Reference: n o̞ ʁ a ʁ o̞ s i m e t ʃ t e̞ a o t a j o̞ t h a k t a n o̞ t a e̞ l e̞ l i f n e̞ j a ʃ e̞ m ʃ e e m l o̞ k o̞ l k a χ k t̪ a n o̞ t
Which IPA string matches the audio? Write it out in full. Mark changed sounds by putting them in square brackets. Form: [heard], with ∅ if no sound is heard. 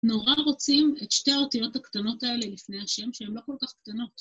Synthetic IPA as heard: n o̞ ʁ a ʁ o̞ [t͡s] i m e t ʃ t e̞ a o t [i] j o̞ t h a k t a n o̞ t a e̞ l e̞ l i f n e̞ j a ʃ e̞ m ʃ e e m l o̞ k o̞ l k a χ k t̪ a n o̞ t